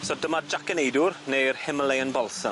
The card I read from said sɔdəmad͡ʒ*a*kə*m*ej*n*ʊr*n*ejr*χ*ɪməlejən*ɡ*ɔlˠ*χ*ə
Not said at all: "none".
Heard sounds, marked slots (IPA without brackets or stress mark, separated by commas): a, n, d, n, h, b, s